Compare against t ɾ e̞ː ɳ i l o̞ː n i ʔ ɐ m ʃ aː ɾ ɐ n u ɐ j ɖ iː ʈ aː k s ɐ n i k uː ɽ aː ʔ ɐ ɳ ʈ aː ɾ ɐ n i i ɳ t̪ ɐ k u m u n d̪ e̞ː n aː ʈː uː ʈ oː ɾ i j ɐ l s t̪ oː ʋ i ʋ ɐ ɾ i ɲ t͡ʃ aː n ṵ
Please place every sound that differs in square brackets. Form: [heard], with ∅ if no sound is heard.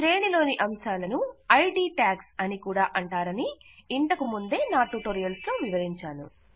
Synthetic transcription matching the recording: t ɾ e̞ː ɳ i l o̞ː n i ʔ ɐ m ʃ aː [l] ɐ n u ɐ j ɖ iː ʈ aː k s ɐ n i k uː ɽ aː ʔ ɐ ɳ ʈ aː ɾ ɐ n i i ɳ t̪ ɐ k u m u n d̪ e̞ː n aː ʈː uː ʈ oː ɾ i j ɐ l s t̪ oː ʋ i ʋ ɐ ɾ i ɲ t͡ʃ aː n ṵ